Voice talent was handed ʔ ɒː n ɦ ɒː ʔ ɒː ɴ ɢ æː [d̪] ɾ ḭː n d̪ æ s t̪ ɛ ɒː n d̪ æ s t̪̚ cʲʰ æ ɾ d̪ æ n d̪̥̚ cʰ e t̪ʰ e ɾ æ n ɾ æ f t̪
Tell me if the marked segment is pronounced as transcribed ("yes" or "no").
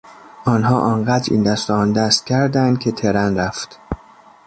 yes